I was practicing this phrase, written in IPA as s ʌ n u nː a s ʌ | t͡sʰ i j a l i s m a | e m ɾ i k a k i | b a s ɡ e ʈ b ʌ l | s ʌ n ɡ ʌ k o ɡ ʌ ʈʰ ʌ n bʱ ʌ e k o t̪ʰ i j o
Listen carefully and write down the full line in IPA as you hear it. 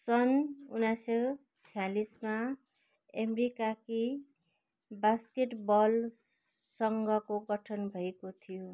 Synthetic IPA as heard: s ʌ n u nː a s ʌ | t͡sʰ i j a l i s m a | e m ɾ i k a k i | b a s k e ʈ b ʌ l | s ʌ ŋ ɡ ʌ k o ɡ ʌ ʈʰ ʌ n bʱ ʌ e k o t̪ʰ i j o